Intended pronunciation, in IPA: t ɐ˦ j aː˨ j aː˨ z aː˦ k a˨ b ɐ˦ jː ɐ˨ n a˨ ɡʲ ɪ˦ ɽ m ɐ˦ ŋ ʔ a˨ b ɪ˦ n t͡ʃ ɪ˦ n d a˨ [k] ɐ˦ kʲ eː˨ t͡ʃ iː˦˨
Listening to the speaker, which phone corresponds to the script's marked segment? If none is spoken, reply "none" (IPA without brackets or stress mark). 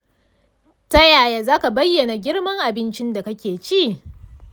k